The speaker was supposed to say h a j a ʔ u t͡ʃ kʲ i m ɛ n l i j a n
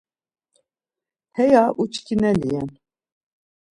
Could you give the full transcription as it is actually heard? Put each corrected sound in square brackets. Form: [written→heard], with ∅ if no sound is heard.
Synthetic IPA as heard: h [a→ɛ] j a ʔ u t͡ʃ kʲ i [m→n] ɛ [n→∅] l i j [a→ɛ] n